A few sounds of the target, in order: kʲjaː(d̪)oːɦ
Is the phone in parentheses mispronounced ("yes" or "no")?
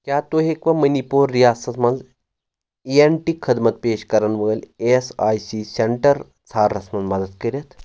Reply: yes